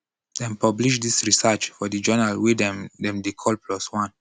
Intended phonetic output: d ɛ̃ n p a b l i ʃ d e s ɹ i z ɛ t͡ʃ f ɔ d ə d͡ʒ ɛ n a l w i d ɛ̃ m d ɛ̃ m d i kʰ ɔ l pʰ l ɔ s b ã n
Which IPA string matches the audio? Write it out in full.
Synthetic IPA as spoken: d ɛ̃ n p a b l i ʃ d i s ɹ i s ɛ t͡ʃ f ɔ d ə d͡ʒ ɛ n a l w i d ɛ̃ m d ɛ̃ m d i kʰ ɔ l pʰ l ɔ s w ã n